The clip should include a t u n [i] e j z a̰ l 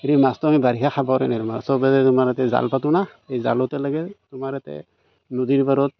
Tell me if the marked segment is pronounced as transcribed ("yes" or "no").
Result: no